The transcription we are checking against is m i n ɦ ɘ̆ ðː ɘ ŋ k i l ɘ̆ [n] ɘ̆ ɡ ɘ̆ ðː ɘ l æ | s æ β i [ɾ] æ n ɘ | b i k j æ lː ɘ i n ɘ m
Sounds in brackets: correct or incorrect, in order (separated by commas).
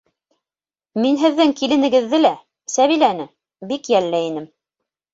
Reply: correct, incorrect